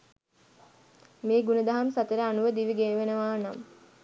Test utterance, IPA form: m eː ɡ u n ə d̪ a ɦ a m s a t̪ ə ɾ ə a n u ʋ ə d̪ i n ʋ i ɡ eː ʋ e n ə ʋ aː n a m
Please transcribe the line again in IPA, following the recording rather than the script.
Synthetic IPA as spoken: m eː ɡ u n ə d̪ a ɦ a m s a t̪ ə ɾ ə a n u ʋ ə d̪ i ʋ i ɡ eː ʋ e n ə ʋ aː n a m